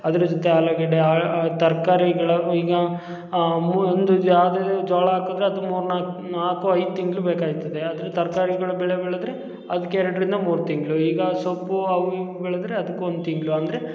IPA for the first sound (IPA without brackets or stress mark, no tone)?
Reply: ɐ